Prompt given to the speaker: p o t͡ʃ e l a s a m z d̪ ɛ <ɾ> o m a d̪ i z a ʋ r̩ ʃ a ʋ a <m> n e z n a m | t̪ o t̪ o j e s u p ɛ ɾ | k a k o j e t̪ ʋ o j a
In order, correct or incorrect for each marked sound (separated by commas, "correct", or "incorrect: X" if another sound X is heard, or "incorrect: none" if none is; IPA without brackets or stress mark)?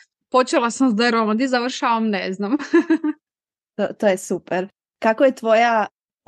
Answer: correct, correct